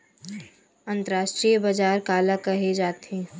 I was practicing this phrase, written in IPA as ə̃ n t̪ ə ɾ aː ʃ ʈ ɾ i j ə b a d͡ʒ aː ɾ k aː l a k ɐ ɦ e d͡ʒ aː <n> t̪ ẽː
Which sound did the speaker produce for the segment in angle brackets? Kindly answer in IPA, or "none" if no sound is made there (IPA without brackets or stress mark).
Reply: none